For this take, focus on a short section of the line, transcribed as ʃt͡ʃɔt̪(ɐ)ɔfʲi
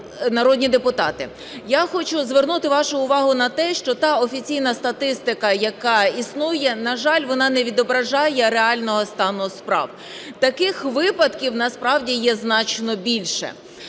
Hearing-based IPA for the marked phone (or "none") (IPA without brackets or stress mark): ɑ